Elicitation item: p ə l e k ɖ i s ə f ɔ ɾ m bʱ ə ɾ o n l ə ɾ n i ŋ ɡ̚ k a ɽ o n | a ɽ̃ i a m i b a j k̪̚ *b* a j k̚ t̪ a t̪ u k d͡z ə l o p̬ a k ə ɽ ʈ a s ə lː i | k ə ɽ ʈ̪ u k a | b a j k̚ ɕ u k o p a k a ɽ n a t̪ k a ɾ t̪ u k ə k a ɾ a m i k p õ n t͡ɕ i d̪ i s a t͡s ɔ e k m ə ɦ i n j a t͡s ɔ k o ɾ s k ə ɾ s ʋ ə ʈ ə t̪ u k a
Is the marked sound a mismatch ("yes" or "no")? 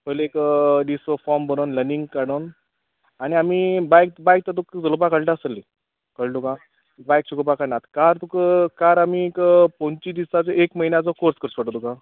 no